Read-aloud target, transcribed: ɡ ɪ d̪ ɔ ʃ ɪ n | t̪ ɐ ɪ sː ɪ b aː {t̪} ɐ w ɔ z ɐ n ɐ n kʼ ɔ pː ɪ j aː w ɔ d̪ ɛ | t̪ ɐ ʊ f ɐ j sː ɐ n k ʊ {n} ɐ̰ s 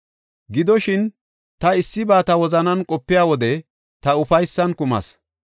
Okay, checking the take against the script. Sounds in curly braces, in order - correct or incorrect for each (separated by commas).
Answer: correct, incorrect